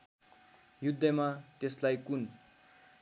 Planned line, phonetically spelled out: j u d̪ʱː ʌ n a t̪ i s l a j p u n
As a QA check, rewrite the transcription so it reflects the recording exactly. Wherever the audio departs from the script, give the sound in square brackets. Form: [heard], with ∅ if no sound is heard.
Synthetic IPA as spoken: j u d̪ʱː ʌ [m] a t̪ [e] s l a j [k] u n